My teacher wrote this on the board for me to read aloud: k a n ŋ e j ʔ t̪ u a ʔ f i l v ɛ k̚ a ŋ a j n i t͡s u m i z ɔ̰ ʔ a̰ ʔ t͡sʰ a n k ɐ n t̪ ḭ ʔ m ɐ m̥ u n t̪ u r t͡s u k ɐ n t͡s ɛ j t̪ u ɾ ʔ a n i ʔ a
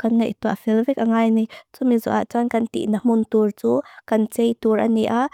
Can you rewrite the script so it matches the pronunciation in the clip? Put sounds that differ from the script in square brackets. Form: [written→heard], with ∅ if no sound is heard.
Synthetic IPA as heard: k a n ŋ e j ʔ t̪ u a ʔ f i l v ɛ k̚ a ŋ a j n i t͡s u m i z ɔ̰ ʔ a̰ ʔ [t͡sʰ→t͡s] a n k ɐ n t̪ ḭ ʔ [m→n] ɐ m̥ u n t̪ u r t͡s u k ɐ n t͡s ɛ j t̪ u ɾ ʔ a n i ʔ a